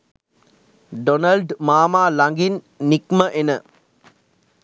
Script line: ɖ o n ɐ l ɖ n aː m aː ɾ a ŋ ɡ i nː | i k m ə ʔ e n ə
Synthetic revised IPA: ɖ o n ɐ l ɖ m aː m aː l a ŋ ɡ i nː | i k m ə ʔ e n ə